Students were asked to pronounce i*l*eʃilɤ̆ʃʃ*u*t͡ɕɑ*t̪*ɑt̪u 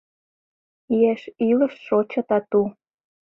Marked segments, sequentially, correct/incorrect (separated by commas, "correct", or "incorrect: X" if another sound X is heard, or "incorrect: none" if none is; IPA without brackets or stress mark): incorrect: none, incorrect: o, correct